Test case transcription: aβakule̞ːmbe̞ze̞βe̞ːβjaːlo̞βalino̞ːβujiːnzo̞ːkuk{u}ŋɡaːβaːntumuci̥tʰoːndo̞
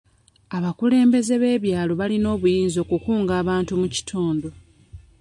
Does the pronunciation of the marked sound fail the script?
yes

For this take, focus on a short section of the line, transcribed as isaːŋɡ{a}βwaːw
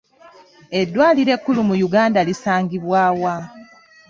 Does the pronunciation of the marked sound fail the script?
yes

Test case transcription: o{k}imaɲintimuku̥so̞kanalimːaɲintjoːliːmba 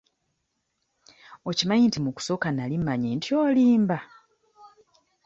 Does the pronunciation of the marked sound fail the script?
yes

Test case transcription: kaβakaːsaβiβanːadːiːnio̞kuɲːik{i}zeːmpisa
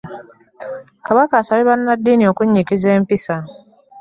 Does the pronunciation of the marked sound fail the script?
no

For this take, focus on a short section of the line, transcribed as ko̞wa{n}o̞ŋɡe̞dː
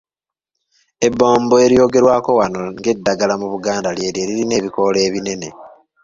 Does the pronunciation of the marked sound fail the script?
no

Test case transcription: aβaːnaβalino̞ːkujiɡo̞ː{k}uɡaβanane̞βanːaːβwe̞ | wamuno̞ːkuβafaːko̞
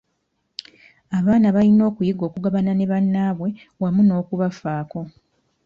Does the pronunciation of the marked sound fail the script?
no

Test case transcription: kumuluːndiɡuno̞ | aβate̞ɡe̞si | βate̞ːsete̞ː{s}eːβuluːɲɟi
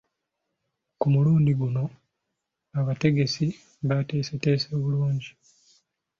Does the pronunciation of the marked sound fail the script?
no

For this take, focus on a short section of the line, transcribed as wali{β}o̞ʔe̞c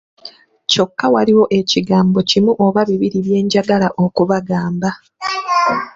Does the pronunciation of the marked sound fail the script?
yes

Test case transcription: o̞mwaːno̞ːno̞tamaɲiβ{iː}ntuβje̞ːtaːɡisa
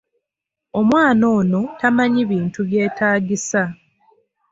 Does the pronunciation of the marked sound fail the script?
no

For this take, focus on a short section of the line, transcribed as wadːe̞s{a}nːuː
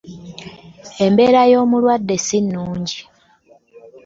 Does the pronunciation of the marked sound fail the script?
yes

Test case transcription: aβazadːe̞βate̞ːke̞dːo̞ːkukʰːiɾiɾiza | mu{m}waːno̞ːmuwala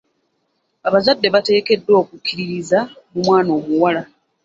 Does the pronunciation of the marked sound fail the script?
no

